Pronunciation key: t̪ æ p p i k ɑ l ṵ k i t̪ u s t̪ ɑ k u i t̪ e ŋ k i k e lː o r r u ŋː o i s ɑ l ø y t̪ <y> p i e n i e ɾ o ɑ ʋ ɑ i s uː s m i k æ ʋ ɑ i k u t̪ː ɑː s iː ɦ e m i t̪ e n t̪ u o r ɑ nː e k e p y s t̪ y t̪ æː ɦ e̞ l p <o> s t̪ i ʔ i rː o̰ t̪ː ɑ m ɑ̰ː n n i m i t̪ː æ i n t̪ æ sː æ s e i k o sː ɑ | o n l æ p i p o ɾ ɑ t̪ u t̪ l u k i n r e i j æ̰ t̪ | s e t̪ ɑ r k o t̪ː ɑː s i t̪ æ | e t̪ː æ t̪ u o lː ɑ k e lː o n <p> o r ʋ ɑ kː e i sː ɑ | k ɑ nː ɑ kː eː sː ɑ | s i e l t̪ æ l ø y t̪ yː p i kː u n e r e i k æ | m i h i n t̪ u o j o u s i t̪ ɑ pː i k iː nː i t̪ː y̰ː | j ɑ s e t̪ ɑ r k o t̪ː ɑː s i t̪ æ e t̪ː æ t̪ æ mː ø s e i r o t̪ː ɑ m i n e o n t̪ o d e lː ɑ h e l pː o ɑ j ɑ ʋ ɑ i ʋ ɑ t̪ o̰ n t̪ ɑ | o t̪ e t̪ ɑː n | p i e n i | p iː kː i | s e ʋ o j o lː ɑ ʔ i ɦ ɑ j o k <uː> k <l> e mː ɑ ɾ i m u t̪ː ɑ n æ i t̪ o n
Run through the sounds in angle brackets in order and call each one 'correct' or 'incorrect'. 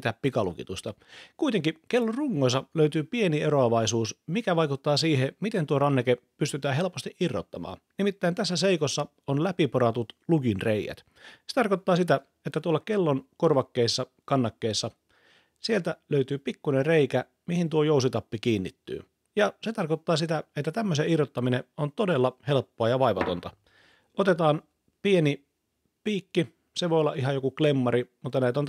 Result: incorrect: yː, correct, incorrect: k, incorrect: u, correct

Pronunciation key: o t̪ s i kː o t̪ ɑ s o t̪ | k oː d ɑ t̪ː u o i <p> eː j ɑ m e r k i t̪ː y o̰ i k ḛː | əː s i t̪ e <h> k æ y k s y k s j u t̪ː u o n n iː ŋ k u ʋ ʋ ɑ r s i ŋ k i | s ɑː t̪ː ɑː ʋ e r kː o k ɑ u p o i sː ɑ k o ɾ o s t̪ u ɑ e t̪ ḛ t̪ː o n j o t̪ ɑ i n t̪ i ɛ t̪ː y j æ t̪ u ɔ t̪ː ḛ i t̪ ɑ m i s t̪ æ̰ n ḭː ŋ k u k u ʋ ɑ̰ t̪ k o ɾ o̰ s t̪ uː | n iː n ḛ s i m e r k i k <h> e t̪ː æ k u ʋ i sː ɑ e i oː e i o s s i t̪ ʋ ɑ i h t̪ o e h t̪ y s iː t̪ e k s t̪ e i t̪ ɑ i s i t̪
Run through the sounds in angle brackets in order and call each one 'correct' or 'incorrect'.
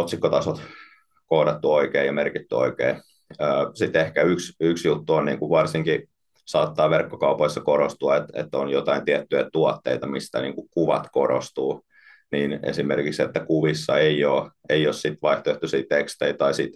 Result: incorrect: k, correct, incorrect: s

